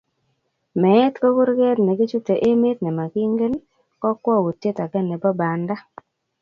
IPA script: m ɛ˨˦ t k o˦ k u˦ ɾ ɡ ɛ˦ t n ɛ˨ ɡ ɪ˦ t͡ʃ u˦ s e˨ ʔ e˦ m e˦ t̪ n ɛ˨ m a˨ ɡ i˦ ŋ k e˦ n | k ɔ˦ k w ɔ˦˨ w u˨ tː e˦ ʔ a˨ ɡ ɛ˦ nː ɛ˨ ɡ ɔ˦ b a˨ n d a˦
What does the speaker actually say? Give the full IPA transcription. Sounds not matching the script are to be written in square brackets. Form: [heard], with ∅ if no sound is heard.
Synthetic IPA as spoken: m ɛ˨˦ t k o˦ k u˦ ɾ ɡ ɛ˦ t n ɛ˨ ɡ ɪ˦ t͡ʃ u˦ [t] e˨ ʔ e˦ m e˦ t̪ n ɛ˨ m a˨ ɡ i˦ ŋ [ɡ] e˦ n | k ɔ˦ k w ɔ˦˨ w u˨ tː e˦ [t] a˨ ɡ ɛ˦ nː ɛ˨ [b] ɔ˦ b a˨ n d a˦

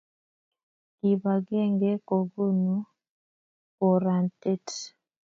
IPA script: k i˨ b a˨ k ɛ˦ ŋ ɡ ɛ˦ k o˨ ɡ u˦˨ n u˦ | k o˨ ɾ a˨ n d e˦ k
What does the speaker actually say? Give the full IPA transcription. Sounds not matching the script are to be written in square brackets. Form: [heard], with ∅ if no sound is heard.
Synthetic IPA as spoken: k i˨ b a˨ [ɡ] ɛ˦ ŋ ɡ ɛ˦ k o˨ ɡ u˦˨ n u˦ | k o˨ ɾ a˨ n [t] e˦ [t]

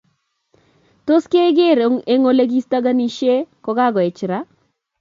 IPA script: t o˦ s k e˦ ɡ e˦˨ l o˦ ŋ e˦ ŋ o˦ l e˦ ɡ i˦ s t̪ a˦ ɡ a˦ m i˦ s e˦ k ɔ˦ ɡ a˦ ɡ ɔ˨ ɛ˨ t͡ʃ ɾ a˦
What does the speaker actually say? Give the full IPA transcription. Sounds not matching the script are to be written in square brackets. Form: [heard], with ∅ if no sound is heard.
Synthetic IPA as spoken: t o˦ s k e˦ ɡ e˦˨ [ɾ] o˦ ŋ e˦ ŋ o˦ l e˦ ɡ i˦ s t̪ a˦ ɡ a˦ [n] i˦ [ʃ] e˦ k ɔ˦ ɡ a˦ ɡ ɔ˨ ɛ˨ t͡ʃ ɾ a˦

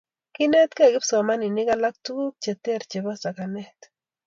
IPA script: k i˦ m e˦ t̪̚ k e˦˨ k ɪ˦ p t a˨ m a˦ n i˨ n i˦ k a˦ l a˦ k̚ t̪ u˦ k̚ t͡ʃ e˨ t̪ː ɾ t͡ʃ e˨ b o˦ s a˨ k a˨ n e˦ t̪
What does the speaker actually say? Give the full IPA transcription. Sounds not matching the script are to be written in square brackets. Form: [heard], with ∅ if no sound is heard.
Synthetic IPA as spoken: k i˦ [n] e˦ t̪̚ k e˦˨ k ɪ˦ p [s] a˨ m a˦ n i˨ n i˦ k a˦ l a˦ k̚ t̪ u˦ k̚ t͡ʃ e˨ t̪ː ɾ t͡ʃ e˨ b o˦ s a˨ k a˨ n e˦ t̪

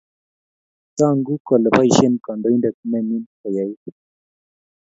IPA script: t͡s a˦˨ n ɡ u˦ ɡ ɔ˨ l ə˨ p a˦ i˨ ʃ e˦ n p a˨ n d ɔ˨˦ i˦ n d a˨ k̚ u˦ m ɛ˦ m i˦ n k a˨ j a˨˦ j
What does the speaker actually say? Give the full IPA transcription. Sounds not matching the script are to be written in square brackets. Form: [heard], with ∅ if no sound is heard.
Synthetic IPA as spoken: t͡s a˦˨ [ŋ] ɡ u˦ [k] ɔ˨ l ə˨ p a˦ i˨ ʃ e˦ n [k] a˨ n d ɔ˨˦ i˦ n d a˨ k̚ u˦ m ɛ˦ m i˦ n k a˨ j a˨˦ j

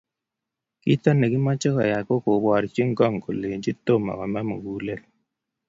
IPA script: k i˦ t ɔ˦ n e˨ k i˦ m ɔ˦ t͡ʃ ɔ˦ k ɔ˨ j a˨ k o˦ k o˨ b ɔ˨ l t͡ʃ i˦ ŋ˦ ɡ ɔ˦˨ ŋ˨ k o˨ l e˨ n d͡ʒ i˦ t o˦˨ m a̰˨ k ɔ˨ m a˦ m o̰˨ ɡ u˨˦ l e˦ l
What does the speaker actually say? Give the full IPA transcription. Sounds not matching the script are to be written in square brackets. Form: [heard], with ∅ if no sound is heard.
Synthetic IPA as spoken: k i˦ t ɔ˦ n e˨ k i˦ m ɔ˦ t͡ʃ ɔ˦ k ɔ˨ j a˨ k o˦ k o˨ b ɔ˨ [ɾ] t͡ʃ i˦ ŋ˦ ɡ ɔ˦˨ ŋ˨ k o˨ l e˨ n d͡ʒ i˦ t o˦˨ m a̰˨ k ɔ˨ m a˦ m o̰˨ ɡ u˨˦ l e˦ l

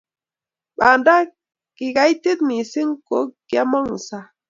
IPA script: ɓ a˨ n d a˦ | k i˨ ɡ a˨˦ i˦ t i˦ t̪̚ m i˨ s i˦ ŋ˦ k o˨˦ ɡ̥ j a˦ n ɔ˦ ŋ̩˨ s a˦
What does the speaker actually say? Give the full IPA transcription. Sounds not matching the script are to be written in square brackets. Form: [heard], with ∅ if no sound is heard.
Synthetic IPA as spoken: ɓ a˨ n d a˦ | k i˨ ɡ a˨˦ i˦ t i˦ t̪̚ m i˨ s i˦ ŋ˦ k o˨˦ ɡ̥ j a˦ [m] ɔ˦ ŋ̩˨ s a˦

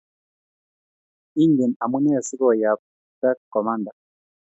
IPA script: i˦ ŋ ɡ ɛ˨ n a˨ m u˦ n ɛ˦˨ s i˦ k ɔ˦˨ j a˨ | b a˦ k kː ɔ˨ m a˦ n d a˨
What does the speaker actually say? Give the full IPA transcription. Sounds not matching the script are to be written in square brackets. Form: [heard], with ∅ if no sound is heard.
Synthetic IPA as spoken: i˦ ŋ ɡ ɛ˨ n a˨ m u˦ n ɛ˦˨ s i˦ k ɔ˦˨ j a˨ | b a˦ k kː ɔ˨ m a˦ n d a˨

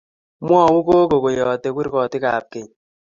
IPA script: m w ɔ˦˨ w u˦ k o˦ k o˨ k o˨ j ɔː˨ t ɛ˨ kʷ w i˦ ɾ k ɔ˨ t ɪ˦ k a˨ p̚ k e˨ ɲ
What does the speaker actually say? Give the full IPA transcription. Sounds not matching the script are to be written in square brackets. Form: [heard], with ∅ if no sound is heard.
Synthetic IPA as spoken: m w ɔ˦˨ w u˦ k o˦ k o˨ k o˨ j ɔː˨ t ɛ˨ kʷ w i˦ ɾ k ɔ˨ t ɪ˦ k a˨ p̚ k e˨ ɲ

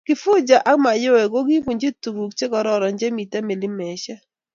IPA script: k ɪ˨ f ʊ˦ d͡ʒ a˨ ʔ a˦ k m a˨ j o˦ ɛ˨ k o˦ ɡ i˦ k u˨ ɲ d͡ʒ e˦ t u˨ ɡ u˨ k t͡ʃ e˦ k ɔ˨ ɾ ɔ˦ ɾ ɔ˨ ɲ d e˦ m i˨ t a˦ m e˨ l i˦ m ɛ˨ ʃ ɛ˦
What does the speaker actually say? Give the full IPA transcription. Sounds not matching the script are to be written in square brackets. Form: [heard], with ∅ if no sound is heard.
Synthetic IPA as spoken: k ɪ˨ f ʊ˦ d͡ʒ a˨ ʔ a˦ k m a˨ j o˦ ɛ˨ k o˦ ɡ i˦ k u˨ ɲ d͡ʒ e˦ t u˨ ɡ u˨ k t͡ʃ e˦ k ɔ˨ ɾ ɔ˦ ɾ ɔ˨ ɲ [d͡ʒ] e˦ m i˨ t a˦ m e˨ l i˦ m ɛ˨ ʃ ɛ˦

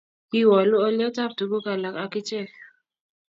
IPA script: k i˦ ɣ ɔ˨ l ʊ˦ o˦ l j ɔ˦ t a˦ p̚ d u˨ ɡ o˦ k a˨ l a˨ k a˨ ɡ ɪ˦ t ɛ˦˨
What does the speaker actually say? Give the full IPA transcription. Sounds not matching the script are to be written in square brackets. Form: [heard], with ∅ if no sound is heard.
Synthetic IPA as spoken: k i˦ [w] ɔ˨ l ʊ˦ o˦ l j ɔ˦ t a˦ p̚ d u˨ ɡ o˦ k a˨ l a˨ k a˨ [k] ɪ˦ [t͡ʃ] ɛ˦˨

